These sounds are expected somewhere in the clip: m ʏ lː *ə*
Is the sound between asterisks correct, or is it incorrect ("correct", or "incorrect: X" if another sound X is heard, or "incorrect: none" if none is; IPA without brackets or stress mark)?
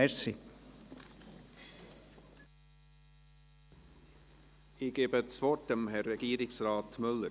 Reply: correct